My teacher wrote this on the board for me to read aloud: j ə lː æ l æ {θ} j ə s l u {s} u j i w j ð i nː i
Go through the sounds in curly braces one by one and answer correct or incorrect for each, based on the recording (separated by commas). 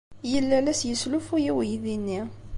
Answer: incorrect, incorrect